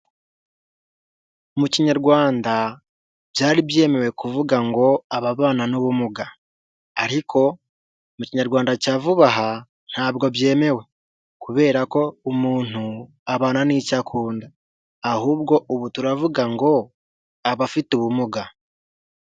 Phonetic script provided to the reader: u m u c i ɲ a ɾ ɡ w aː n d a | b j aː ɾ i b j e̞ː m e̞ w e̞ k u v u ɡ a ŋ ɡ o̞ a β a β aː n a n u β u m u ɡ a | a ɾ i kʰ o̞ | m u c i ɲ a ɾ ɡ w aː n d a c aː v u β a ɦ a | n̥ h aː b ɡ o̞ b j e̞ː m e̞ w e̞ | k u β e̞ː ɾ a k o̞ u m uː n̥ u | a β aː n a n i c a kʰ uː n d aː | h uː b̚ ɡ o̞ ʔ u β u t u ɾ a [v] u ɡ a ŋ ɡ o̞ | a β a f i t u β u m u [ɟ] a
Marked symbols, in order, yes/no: yes, no

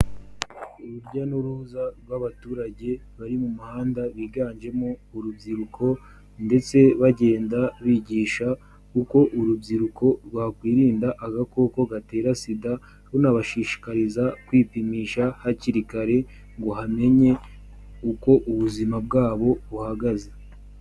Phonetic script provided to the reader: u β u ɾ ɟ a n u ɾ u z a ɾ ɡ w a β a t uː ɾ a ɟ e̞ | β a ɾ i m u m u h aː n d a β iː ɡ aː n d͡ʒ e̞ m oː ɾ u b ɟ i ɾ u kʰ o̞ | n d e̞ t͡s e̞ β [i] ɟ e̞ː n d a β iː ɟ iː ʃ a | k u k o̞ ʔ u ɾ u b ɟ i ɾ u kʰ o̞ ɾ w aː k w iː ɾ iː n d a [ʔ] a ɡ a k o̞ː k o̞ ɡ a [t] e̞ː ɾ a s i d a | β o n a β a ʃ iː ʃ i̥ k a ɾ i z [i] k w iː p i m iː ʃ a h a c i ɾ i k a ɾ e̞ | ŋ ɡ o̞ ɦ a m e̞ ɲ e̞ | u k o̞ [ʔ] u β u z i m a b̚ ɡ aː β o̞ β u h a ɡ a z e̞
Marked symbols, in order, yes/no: no, yes, yes, no, yes

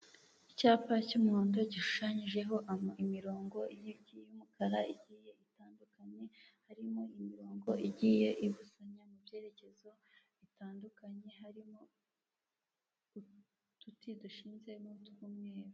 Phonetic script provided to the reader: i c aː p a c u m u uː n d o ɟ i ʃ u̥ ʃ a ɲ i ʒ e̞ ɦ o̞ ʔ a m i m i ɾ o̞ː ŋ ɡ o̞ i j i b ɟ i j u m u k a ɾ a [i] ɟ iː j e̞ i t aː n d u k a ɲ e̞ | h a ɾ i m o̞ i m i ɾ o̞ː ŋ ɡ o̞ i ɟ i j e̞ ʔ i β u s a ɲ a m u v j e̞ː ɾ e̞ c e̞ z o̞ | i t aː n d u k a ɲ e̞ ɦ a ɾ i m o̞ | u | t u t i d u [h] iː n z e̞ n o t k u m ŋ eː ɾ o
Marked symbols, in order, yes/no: yes, no

